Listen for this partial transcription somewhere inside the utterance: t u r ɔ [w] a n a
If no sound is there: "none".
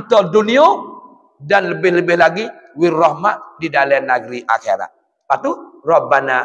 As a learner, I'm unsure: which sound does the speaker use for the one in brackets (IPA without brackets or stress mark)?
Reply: b